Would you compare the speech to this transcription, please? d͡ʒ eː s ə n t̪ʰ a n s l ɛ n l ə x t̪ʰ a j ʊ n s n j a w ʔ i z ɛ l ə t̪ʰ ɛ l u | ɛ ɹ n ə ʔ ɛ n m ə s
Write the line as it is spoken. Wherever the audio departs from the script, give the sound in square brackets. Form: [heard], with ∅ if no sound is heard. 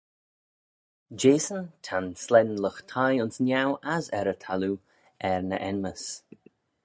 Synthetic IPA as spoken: d͡ʒ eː s ə n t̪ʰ a n s l ɛ n l ə x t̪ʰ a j ʊ n s n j a w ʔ [a] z ɛ [ɾ] ə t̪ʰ [a] l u | ɛ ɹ n ə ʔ ɛ n m ə s